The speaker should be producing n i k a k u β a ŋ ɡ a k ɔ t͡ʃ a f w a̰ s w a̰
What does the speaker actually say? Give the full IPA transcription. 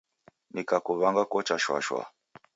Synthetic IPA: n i k a k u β a ŋ ɡ a k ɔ t͡ʃ a ʃ w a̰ ʃ w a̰